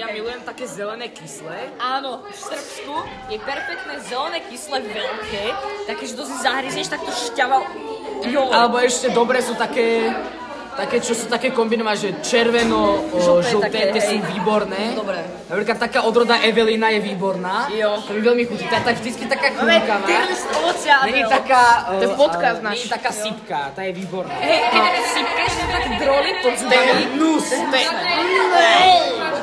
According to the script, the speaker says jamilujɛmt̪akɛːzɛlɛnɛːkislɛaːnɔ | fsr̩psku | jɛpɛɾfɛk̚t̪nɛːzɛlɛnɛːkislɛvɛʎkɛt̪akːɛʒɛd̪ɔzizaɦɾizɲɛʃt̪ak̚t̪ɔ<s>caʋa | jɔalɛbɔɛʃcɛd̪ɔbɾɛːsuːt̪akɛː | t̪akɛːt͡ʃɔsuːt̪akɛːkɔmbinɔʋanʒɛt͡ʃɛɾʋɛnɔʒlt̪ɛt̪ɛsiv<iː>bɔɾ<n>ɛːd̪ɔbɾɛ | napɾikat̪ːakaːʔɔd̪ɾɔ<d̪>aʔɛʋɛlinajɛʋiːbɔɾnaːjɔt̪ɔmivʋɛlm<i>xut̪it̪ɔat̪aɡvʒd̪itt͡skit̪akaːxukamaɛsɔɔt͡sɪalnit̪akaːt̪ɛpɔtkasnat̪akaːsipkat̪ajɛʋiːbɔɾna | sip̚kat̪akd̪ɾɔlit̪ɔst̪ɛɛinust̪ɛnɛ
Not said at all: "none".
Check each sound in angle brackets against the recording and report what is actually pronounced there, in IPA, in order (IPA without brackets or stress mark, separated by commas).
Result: ʃ, iː, n, d̪, i